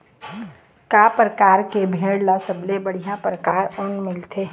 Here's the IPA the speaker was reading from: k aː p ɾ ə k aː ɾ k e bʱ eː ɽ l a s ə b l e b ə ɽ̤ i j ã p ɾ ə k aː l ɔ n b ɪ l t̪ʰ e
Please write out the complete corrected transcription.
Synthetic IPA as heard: k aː p ɾ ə k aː ɾ k e bʱ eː ɽ l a s ə b l e b ə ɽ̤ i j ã p ɾ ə k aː ɾ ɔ n m ɪ l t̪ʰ e